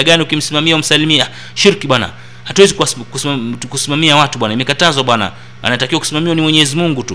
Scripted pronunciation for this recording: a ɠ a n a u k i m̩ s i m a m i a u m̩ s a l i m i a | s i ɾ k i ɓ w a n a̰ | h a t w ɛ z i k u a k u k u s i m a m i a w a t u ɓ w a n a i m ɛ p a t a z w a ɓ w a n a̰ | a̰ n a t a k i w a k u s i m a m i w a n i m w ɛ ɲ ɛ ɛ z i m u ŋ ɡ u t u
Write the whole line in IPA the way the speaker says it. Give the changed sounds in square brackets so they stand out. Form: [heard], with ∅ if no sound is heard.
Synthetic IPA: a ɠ a n [i] u k i m̩ s i m a m i a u m̩ s a l i m i a | [ʃ] i ɾ k i ɓ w a n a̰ | h a t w ɛ z i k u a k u k u s i m a m i a w a t u ɓ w a n a i m ɛ [k] a t a z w a ɓ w a n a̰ | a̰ n a t a k i w a k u s i m a m i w a n i m w ɛ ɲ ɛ ɛ z i m u ŋ ɡ u t u